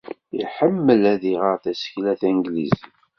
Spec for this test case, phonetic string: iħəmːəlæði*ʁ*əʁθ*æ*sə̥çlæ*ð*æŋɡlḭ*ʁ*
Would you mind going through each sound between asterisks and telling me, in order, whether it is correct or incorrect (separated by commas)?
correct, correct, incorrect, incorrect